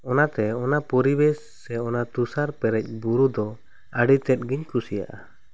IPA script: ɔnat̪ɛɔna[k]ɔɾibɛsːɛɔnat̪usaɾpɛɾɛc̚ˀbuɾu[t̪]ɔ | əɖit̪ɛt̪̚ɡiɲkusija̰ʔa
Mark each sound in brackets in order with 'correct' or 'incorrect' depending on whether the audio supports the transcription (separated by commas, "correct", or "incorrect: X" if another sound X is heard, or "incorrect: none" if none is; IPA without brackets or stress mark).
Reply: incorrect: p, incorrect: d̪